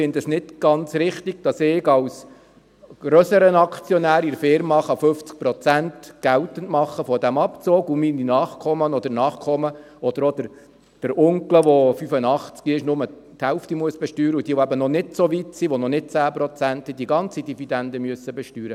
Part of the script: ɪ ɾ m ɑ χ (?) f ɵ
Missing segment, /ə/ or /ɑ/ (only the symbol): ɑ